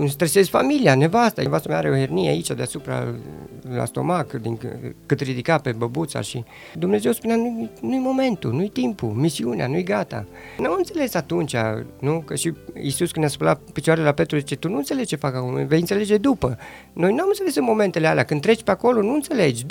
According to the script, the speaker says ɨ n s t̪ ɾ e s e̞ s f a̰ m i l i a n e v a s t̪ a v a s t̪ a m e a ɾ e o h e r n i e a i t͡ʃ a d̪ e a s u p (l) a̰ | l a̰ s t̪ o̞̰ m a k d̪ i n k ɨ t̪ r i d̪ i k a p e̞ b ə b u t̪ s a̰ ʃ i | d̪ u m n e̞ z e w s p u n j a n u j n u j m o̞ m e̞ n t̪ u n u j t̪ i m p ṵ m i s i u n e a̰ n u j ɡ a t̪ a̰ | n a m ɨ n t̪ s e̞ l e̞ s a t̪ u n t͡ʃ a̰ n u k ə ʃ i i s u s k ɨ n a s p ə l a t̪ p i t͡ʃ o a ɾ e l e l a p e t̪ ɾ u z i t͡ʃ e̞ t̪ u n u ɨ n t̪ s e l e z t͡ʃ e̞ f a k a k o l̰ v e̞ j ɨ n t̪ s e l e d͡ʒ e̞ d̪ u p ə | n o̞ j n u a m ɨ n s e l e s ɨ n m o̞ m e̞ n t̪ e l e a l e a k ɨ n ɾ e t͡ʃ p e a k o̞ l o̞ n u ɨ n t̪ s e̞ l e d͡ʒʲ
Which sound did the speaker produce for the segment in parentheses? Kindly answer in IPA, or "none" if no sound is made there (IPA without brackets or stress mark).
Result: ɾ